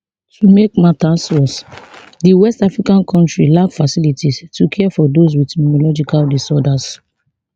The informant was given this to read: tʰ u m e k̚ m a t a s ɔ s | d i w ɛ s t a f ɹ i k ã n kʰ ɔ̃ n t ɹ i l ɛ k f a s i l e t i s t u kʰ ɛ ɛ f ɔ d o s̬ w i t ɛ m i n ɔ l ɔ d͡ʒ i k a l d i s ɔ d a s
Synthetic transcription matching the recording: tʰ u m e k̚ m a t a s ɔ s | d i w ɛ s t a f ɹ i k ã n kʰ ɔ̃ n t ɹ i l a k f a s i l i t i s t u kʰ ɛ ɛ f ɔ d o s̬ w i t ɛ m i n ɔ l ɔ d͡ʒ i k a l d i s ɔ d a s